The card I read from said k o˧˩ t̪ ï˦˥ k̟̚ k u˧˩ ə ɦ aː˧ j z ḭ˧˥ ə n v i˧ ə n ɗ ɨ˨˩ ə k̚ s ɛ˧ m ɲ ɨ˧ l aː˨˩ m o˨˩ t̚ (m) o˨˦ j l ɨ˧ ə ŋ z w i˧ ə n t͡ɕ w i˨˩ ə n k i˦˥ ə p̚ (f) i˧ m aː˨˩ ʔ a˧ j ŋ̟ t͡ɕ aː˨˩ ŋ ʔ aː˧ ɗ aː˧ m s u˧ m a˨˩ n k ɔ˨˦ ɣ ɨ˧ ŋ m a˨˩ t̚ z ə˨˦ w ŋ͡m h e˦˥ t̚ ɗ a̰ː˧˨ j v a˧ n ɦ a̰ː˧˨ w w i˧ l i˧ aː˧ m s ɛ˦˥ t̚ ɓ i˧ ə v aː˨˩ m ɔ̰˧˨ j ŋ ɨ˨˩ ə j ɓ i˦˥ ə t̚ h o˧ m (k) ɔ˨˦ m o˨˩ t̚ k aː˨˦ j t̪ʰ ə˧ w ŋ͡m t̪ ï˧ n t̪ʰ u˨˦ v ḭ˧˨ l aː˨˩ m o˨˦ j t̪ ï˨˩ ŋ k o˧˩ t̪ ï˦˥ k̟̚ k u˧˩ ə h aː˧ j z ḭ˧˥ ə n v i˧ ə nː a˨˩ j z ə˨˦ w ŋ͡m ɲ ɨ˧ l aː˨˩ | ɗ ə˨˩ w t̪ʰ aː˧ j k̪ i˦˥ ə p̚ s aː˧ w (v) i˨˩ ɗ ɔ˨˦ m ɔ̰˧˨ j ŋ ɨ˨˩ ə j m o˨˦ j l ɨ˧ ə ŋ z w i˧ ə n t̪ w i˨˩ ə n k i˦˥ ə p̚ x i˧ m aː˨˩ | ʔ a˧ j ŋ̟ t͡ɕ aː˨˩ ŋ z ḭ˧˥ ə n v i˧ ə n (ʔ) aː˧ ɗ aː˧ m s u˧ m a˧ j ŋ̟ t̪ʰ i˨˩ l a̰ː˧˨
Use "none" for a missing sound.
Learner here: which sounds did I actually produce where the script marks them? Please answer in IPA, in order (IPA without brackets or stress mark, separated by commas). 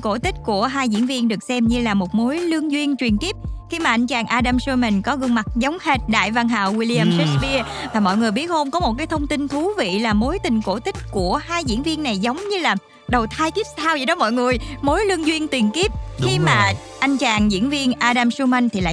m, x, k, z, ʔ